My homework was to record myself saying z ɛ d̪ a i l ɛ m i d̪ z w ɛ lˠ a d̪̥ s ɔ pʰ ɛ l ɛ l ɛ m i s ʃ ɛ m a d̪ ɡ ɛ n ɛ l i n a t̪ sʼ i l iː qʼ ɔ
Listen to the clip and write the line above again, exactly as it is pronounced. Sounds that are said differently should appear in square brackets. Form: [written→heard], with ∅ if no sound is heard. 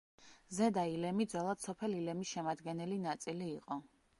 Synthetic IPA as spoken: z ɛ d̪ a i l ɛ m i d̪ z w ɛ lˠ a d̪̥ s ɔ pʰ ɛ l [ɛ→i] l ɛ m i s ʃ ɛ m a d̪ ɡ ɛ n ɛ l i n a t̪ sʼ i l iː qʼ ɔ